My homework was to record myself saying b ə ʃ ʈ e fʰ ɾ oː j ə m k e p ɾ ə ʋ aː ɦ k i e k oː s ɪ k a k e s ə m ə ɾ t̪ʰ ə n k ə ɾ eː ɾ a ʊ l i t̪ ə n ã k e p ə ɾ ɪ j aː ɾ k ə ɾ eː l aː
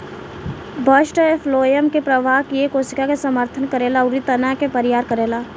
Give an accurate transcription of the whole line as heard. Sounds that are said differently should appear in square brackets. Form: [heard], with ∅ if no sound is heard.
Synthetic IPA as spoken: b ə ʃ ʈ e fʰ [l] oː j ə m k e p ɾ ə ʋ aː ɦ k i e k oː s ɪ k a k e s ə m ə ɾ t̪ʰ ə n k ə ɾ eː [l] a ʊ [ɾ] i t̪ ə n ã k e p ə ɾ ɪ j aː ɾ k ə ɾ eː l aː